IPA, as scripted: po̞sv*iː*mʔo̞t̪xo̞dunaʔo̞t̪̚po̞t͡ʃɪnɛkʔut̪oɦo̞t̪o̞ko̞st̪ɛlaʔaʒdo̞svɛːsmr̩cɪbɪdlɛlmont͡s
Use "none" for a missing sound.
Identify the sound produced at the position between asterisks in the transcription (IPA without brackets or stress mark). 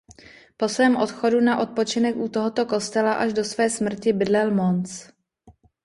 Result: ɛː